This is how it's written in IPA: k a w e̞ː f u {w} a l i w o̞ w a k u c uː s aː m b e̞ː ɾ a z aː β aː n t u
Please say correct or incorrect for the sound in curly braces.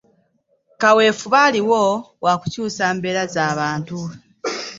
incorrect